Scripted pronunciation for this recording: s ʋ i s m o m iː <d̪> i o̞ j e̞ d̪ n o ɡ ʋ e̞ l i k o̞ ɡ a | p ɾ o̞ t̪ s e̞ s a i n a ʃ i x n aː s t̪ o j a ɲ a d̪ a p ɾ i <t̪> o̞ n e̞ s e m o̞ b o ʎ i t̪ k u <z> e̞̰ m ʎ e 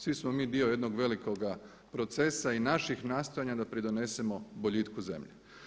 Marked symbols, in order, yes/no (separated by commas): yes, no, yes